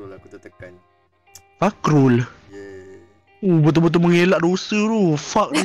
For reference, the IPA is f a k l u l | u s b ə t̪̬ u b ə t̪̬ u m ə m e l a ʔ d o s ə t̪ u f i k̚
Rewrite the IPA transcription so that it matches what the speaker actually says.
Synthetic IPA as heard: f a k ɾ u l | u b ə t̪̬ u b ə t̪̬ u m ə ŋ e l a ʔ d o s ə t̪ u f a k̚